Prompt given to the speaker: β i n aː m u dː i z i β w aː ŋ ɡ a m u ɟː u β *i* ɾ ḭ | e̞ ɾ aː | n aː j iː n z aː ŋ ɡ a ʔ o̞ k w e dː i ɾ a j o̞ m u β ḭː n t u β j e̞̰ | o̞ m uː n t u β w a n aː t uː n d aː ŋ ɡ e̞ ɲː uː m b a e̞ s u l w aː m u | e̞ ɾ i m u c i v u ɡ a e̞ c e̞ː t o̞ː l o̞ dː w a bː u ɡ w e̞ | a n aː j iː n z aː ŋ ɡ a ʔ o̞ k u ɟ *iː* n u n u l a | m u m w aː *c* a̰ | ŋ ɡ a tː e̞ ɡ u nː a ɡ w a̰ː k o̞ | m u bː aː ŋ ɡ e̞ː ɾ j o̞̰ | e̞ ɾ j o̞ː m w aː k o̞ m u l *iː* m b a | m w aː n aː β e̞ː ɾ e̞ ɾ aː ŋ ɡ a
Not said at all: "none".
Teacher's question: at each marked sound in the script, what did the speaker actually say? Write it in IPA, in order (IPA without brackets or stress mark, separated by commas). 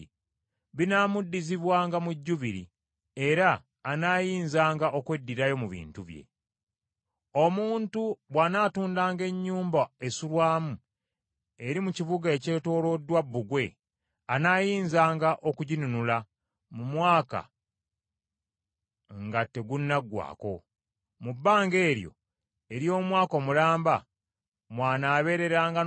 i, i, k, aː